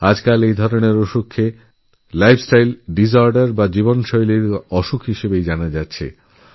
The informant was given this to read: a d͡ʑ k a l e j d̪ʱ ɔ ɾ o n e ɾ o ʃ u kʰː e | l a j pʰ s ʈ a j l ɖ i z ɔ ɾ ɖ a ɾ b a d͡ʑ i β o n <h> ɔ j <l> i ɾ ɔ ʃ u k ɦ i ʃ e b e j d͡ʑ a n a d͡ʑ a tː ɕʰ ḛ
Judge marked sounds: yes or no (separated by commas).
no, yes